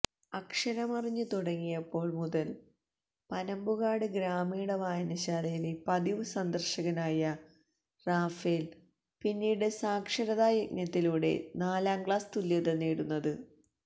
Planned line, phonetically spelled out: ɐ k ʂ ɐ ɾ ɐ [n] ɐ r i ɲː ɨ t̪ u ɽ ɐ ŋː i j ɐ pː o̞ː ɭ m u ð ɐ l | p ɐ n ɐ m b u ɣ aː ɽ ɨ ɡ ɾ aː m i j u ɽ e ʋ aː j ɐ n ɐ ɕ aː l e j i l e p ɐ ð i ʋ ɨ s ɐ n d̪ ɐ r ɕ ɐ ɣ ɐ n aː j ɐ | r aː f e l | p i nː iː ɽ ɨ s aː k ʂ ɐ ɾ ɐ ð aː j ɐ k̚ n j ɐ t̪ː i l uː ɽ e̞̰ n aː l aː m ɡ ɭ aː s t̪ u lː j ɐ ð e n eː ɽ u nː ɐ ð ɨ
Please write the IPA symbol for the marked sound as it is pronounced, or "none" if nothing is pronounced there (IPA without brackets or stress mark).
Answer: m